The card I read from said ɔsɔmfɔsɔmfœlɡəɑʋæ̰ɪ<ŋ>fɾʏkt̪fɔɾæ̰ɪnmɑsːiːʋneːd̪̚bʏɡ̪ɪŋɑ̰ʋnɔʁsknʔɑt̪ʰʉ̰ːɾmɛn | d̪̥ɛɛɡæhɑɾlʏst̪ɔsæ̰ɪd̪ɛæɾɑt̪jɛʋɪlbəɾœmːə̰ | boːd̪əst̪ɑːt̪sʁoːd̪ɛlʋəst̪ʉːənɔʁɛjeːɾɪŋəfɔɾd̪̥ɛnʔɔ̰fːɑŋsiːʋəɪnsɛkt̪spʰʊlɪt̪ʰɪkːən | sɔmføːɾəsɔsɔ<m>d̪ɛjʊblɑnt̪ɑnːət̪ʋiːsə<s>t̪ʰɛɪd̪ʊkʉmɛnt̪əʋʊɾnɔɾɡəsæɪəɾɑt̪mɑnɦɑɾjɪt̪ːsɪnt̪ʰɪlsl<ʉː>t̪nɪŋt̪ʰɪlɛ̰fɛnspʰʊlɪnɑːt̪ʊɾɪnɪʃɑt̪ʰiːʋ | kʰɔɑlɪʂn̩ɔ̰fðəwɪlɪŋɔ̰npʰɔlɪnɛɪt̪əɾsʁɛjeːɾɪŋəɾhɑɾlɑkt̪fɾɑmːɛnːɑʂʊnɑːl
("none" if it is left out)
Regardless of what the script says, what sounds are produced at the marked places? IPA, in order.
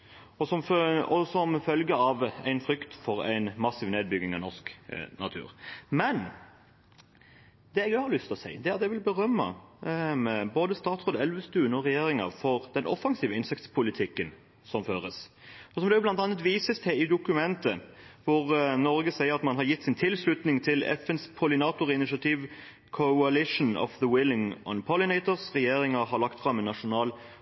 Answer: n, m, s, ʉ

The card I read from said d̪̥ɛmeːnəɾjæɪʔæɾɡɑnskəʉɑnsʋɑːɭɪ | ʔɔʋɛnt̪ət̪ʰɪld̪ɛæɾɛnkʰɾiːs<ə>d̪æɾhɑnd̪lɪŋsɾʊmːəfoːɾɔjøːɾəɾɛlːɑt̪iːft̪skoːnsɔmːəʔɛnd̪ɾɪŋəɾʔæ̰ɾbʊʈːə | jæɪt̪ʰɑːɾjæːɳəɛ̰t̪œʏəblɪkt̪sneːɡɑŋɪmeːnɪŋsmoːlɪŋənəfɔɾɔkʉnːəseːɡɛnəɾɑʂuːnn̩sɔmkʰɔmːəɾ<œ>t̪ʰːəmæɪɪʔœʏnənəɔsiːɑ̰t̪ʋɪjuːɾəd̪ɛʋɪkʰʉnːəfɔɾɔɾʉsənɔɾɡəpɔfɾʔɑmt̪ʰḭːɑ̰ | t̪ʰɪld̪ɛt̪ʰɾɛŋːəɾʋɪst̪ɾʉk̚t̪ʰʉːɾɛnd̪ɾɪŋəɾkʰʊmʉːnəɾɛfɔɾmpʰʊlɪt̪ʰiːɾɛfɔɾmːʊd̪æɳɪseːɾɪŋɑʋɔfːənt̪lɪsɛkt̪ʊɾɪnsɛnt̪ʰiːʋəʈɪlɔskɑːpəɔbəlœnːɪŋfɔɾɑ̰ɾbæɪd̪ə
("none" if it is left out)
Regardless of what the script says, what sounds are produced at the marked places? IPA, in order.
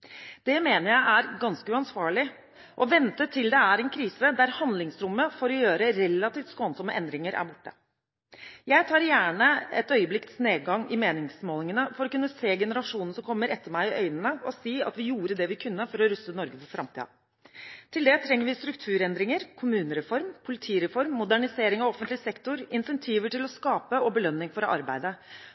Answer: ə, ɛ

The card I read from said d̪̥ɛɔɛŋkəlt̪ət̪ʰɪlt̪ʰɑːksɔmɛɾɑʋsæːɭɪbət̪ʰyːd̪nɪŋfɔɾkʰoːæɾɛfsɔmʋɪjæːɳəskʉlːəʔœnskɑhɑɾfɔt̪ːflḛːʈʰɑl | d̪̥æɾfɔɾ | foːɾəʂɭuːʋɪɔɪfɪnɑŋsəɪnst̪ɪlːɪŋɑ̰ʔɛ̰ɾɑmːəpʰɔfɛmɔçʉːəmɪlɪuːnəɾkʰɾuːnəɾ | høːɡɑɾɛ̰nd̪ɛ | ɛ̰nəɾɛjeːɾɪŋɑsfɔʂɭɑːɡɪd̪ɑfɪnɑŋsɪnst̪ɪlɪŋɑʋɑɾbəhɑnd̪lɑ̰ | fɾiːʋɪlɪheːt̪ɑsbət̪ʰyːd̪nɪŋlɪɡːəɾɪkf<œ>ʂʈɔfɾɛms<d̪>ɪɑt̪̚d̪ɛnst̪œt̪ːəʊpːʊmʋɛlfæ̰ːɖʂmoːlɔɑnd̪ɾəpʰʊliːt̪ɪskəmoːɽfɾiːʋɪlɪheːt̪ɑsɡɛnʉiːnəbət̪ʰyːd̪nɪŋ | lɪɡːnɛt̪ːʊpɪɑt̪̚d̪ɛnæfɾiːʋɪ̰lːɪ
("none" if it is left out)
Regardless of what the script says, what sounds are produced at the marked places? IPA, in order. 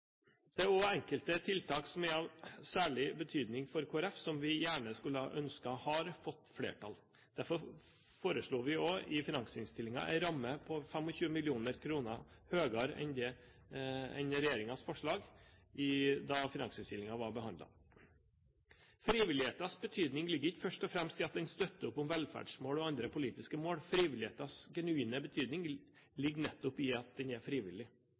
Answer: œ, t̪

